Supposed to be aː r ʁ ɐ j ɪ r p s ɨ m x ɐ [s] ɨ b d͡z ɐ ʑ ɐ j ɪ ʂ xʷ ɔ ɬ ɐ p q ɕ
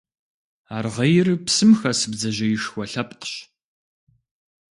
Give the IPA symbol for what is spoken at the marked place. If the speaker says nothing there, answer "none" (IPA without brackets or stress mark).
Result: s